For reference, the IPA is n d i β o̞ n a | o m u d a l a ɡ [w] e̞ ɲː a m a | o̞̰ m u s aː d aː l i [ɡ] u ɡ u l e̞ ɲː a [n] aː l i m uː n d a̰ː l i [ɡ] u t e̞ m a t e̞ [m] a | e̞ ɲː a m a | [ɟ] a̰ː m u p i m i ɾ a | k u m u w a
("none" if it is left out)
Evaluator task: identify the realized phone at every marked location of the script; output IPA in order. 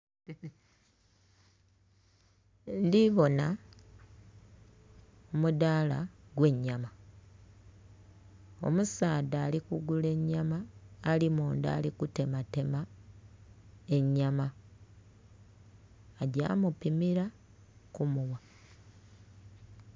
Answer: w, k, m, k, m, ɟ

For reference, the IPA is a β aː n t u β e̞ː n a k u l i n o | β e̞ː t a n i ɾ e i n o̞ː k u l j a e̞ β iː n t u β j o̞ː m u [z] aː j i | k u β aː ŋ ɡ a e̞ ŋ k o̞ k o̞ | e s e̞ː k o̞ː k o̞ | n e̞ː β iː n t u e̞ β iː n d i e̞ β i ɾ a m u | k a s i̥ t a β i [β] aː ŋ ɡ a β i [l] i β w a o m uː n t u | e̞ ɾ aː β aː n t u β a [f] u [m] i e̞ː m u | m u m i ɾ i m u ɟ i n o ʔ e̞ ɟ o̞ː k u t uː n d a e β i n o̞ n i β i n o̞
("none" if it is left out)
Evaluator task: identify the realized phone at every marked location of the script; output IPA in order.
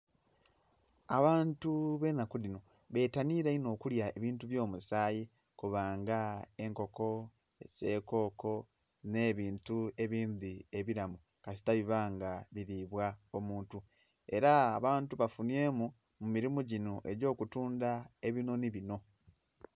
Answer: s, β, ɾ, f, n

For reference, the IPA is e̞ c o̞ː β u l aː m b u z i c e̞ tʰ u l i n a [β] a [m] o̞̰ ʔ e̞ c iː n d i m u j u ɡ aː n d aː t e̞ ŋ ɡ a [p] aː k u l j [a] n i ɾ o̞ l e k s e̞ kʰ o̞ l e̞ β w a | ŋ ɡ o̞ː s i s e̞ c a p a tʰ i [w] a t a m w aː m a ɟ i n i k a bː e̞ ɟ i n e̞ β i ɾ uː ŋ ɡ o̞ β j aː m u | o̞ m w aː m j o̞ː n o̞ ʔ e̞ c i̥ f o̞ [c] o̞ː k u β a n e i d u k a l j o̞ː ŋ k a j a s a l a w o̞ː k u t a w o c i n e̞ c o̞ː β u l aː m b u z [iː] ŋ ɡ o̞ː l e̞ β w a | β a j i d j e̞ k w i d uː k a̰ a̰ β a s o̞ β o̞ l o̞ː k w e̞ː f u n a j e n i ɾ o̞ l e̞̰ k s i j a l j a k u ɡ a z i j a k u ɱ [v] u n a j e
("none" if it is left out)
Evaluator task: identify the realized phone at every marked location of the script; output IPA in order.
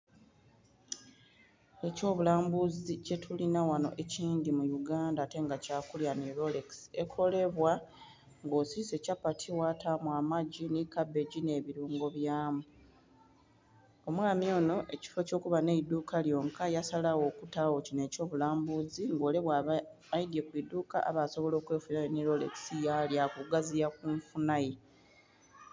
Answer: w, n, c, a, w, c, i, f

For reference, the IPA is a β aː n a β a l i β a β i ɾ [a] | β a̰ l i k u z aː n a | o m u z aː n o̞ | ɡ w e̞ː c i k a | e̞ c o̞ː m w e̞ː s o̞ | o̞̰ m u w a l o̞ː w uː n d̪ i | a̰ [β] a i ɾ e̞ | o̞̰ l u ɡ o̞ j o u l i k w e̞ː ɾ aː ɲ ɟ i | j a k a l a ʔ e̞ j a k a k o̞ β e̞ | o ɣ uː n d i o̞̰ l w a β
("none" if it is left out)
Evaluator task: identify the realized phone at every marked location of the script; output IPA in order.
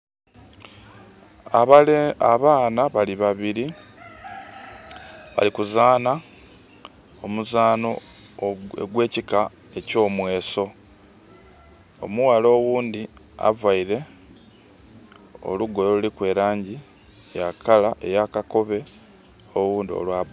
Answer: i, v

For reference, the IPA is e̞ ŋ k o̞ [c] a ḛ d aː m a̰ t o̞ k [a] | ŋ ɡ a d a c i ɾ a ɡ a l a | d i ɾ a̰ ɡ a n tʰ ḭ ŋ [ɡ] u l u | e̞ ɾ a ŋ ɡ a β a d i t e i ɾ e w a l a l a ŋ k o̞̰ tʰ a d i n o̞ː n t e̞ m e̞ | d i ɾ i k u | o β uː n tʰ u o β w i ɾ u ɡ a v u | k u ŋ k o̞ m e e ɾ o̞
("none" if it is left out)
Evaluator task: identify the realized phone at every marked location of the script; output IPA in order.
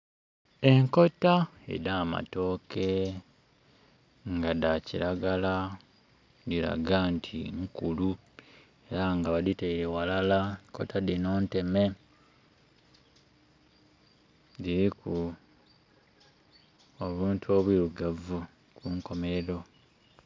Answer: t, e, k

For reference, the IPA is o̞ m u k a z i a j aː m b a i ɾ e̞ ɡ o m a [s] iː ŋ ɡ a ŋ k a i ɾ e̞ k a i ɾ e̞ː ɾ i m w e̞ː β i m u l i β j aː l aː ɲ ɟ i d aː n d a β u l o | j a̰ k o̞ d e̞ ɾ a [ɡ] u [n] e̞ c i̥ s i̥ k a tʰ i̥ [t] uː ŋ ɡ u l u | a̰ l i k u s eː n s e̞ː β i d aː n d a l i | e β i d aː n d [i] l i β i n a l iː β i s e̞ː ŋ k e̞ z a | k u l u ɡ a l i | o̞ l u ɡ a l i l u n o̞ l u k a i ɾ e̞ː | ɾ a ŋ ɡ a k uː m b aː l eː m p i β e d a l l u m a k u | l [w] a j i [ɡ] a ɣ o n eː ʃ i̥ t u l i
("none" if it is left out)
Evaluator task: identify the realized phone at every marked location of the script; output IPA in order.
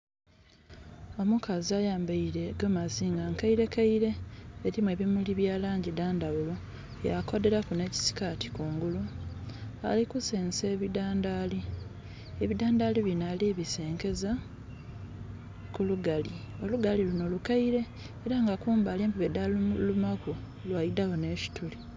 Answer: z, k, n, k, a, w, d

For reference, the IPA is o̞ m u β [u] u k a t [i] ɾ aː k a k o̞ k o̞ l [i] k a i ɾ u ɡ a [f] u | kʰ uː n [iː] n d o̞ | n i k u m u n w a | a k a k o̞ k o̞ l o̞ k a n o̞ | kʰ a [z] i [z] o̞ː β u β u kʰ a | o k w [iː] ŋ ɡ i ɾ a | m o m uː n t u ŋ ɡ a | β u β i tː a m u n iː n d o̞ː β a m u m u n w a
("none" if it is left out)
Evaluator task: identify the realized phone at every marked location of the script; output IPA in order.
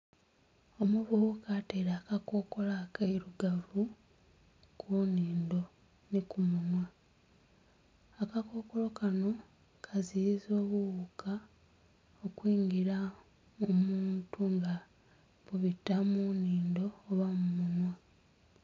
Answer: u, e, a, v, iː, z, z, iː

